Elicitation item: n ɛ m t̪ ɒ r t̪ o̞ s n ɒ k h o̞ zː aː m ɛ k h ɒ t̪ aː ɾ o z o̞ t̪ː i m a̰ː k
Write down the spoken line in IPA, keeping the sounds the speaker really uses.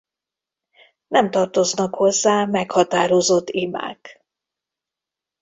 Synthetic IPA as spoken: n ɛ m t̪ ɒ r t̪ o̞ z n ɒ k h o̞ zː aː m ɛ k h ɒ t̪ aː ɾ o z o̞ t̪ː i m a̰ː k